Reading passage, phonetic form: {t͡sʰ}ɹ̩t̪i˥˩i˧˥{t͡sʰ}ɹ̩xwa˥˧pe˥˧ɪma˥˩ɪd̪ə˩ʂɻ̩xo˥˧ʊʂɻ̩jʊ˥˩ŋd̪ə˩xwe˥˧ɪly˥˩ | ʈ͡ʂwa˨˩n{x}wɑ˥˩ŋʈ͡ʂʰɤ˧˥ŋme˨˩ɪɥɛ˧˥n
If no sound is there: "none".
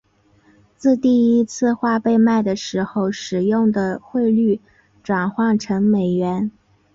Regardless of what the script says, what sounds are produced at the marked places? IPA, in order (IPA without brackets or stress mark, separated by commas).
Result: t͡s, t͡sʰ, x